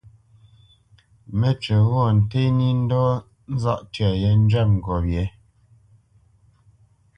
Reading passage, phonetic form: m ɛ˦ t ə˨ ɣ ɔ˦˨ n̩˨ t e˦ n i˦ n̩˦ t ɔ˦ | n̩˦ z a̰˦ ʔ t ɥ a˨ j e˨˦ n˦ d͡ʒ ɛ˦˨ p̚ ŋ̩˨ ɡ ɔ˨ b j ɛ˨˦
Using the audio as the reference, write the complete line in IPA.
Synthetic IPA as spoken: m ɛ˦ t͡ʃ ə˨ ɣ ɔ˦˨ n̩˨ t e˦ n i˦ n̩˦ d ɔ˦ | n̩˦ z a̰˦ ʔ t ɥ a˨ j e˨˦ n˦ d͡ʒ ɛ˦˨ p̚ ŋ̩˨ ɡ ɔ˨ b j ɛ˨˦